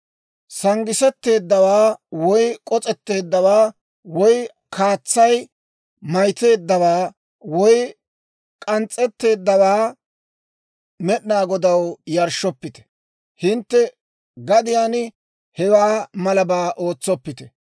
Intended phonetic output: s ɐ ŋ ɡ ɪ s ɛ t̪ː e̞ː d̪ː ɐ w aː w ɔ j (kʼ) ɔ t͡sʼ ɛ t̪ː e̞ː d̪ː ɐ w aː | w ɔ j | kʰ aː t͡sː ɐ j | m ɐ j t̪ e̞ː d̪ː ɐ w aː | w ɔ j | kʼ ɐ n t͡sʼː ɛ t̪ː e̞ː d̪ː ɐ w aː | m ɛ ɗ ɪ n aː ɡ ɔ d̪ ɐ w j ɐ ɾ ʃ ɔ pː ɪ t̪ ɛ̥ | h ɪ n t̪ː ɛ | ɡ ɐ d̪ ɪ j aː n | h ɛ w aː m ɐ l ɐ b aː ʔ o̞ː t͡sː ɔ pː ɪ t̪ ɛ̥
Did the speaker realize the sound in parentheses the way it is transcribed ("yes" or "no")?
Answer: yes